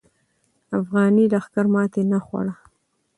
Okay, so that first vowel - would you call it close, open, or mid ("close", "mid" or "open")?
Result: open